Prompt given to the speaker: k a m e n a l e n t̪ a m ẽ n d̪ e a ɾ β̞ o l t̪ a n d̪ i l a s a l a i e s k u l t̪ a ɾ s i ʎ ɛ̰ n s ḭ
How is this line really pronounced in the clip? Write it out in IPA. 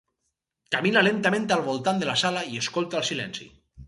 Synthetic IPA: k a m i n a l e n t̪ a m ẽ n t̪ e a l β̞ o l t̪ a n d̪ e l a s a l a i e s k o l t̪ a l s i l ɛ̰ n s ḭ

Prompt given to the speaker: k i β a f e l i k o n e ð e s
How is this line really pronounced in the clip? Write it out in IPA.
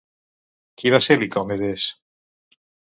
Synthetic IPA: k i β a s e l i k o m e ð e s

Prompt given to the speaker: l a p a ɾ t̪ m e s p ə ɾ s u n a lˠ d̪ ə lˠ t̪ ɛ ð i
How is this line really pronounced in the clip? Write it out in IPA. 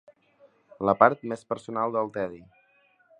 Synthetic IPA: l ə p a ɾ t̪ m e s p ə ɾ s u n a lˠ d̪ ə lˠ t̪ ɛ ð i

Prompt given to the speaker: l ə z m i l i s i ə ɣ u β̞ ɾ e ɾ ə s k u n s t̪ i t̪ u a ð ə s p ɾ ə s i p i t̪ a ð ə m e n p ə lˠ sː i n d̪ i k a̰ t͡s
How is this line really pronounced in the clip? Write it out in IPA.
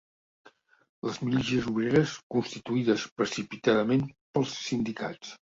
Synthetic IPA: l ə z m i l i s i ə z u β̞ ɾ e ɾ ə s k u n s t̪ i t̪ u i ð ə s p ɾ ə s i p i t̪ a ð ə m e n p ə lˠ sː i n d̪ i k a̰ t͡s

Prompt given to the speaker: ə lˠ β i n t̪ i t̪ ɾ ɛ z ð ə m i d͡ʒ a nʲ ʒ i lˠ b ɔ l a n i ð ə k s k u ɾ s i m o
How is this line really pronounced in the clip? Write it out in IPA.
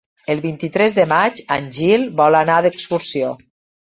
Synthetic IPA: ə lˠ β i n t̪ i t̪ ɾ ɛ z ð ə m a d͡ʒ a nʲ ʒ i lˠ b ɔ l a n a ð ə k s k u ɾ s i o

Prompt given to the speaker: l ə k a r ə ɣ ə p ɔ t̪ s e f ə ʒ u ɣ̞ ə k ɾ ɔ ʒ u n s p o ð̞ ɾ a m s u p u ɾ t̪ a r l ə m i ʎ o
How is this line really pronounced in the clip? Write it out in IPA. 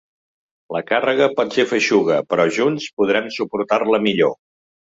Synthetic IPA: l ə k a r ə ɣ ə p ɔ t̪ s e f ə ʃ u ɣ̞ ə p ɾ ɔ ʒ u n s p u ð̞ ɾ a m s u p u ɾ t̪ a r l ə m i ʎ o

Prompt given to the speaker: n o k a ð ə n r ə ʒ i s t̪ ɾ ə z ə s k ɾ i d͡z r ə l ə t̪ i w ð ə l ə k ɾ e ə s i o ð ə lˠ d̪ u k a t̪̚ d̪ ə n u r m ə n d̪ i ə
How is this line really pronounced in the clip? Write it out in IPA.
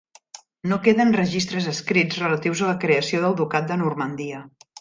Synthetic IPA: n o k e ð ə n r ə ʒ i s t̪ ɾ ə z ə s k ɾ i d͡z r ə l ə t̪ i w z ə l ə k ɾ e ə s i o ð ə lˠ d̪ u k a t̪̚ d̪ ə n u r m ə n d̪ i ə

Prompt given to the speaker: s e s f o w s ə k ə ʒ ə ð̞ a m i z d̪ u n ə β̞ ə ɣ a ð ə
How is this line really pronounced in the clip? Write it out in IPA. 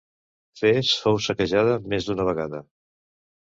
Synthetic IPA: f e s f o w s ə k ə ʒ a ð̞ ə m e z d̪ u n ə β̞ ə ɣ a ð ə

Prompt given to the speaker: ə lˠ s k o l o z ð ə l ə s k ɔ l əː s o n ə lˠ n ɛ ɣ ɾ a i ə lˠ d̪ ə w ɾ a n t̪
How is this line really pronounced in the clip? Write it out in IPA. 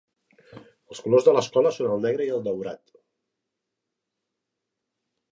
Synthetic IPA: ə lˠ s k u l o z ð ə l ə s k ɔ l ə s o n ə lˠ n ɛ ɣ ɾ ə i ə lˠ d̪ ə w ɾ a t̪

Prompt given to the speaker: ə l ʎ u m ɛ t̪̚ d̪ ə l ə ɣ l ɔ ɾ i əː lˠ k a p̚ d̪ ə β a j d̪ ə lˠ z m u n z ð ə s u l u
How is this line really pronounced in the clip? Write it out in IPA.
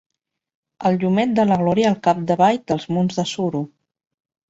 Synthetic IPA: ə l ʎ u m ɛ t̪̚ d̪ ə l ə ɣ l ɔ ɾ i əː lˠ k a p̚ d̪ ə β a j d̪ ə lˠ z m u n z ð ə s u ɾ u

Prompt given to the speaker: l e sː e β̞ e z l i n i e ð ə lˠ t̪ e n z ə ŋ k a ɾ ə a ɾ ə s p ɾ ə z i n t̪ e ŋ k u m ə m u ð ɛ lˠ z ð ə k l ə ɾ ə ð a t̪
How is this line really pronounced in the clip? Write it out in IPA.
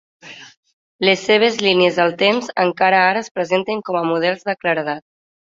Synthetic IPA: l e sː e β̞ e z l i n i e z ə lˠ t̪ e m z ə ŋ k a ɾ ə a ɾ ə s p ɾ ə z e n t̪ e ŋ k ɔ m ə m u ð ɛ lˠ z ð ə k l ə ɾ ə ð a t̪

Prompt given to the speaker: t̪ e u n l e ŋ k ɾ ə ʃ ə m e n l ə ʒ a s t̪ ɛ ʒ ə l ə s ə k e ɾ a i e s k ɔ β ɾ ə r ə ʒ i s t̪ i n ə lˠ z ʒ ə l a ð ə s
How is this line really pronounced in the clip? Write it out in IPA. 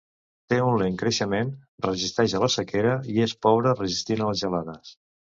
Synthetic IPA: t̪ e u n l e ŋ k ɾ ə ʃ ə m e n r ə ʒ i s t̪ ɛ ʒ ə l ə s ə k e ɾ ə i e s p ɔ β ɾ ə r ə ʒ i s t̪ i n ə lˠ z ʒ ə l a ð ə s

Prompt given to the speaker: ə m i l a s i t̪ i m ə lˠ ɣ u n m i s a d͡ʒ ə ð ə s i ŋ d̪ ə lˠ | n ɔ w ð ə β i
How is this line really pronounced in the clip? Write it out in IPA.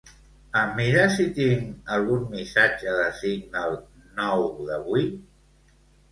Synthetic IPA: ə m i ɾ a s i t̪ i ŋ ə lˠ ɣ u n m i s a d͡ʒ ə ð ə s i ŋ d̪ ə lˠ | n ɔ w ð ə β i

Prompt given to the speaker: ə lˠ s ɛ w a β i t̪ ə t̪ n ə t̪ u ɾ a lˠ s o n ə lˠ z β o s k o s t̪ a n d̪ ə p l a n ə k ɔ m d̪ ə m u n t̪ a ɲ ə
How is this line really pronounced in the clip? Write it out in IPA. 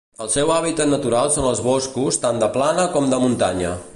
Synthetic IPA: ə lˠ s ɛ w a β i t̪ ə t̪ n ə t̪ u ɾ a lˠ s o n ə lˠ z β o s k u s t̪ a n d̪ ə p l a n ə k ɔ m d̪ ə m u n t̪ a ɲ ə

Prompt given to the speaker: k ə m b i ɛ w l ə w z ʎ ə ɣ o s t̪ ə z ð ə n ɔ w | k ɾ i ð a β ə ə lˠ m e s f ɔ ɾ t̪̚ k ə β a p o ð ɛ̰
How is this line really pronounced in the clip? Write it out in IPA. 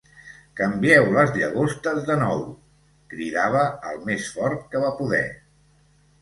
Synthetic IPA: k ə m b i ɛ w l ə z ʎ ə ɣ o s t̪ ə z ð ə n ɔ w | k ɾ i ð a β ə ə lˠ m e s f ɔ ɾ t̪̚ k ə β a p u ð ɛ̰

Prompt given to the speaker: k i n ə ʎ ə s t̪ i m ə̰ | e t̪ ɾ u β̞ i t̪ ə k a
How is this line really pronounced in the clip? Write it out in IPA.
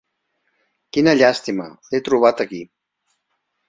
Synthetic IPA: k i n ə ʎ a s t̪ i m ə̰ | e t̪ ɾ u β̞ a t̪ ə k i

